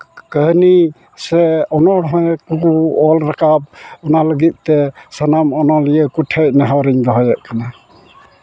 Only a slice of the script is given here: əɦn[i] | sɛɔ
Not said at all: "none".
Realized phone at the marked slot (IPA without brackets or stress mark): i